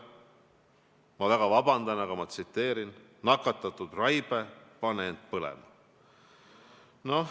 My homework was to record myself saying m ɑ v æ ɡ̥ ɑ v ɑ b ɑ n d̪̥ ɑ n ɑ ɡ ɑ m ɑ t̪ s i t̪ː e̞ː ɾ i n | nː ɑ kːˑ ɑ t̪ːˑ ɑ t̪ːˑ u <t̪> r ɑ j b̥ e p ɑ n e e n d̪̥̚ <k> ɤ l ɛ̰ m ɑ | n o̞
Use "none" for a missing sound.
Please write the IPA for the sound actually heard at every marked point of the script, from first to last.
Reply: d̪, p

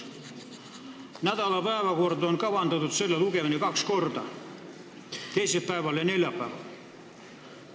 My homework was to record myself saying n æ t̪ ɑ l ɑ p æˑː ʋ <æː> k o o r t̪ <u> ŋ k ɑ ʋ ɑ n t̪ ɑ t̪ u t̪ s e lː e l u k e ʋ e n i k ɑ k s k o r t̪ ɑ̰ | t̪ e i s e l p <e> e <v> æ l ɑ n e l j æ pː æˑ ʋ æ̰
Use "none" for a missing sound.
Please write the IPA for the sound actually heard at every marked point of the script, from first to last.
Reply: æ, o, æ, ʋ

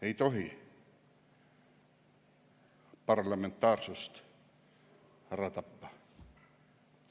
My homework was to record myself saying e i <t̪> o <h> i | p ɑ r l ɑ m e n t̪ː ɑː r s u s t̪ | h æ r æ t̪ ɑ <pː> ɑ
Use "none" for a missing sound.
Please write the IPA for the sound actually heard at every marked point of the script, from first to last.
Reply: t̪, h, pː

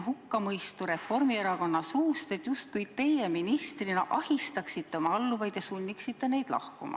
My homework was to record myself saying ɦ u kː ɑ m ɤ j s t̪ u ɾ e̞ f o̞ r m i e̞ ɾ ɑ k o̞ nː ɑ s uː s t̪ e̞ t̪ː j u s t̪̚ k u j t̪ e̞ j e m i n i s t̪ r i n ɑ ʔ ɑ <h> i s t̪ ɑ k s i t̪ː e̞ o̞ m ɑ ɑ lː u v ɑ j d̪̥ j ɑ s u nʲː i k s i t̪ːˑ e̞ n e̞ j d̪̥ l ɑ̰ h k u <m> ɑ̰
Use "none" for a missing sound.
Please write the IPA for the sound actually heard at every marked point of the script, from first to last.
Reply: h, m

